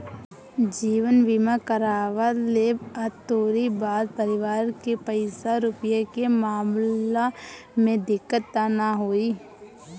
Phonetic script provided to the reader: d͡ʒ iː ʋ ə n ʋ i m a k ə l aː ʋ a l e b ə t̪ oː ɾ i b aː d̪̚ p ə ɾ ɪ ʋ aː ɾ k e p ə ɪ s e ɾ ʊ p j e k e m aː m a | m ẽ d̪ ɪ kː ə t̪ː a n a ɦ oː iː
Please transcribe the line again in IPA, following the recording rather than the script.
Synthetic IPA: d͡ʒ iː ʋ ə n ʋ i m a k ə ɾ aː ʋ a l e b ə t̪ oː ɾ i b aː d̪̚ p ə ɾ ɪ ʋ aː ɾ k e p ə ɪ s a ɾ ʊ p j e k e m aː m a | m ẽ d̪ ɪ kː ə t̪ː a n a ɦ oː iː